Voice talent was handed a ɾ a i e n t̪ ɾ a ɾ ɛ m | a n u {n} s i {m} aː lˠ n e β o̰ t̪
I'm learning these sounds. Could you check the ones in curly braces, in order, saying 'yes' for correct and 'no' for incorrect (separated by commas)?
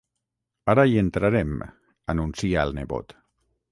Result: yes, no